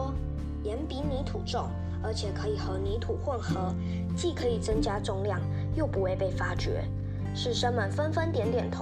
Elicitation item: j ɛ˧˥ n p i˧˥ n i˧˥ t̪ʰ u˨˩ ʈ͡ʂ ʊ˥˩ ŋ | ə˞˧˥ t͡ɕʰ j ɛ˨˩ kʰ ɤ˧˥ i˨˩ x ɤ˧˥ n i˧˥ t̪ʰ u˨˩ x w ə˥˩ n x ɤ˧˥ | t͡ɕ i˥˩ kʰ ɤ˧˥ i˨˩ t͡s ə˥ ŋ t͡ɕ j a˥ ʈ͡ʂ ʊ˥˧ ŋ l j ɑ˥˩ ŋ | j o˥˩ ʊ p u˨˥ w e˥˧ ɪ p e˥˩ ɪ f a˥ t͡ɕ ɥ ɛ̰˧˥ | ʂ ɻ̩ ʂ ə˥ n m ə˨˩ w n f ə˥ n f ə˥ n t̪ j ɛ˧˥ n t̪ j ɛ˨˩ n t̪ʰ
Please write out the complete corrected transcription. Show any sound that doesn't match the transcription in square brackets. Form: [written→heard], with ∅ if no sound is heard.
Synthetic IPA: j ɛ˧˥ n p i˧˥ n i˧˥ t̪ʰ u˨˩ ʈ͡ʂ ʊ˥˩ ŋ | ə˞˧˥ t͡ɕʰ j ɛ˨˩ kʰ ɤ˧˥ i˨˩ x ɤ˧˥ n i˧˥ t̪ʰ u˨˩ x w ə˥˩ n x ɤ˧˥ | t͡ɕ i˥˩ kʰ ɤ˧˥ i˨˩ t͡s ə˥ ŋ t͡ɕ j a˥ ʈ͡ʂ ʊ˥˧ ŋ l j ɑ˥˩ ŋ | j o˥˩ ʊ p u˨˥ w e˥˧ ɪ p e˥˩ ɪ f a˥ t͡ɕ ɥ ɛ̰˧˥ | ʂ ɻ̩ ʂ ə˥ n m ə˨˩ [w→∅] n f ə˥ n f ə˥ n t̪ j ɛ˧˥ n t̪ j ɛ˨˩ n t̪ʰ